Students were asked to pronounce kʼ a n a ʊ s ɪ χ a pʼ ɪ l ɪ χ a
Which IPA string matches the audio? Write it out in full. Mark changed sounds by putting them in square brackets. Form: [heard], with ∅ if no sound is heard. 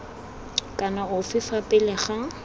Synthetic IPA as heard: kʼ a n a ʊ [f] ɪ [f] a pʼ ɪ l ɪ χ a